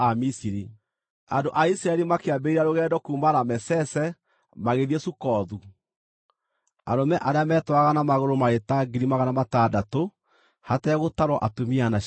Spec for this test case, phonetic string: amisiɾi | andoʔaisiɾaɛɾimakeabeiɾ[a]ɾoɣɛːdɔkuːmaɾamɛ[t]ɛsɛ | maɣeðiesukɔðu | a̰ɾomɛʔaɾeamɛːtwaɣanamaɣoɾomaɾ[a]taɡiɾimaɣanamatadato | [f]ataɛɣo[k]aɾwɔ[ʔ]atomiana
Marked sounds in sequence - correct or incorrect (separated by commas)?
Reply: correct, incorrect, incorrect, incorrect, incorrect, correct